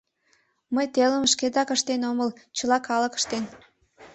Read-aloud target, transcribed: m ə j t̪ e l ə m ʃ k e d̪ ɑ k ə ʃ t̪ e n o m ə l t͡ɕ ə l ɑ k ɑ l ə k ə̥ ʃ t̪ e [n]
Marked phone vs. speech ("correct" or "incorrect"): correct